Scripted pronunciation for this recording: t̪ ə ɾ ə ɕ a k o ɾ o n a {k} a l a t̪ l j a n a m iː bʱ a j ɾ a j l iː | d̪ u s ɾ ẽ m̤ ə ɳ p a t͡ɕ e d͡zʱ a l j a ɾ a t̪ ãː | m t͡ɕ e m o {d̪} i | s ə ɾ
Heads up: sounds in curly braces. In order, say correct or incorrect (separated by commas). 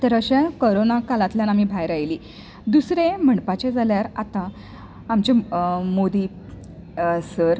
correct, correct